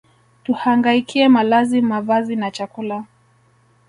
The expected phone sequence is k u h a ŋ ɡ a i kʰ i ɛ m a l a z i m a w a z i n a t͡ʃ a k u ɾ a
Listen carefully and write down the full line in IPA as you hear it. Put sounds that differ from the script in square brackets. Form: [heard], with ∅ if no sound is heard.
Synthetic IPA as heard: [t] u h a ŋ ɡ a i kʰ i ɛ m a l a z i m a [v] a z i n a t͡ʃ a k u [l] a